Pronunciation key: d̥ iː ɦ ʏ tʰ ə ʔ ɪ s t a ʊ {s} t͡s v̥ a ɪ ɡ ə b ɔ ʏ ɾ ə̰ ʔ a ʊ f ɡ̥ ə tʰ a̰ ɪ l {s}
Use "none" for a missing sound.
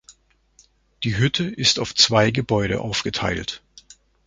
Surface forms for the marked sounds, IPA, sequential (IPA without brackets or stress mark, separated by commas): f, t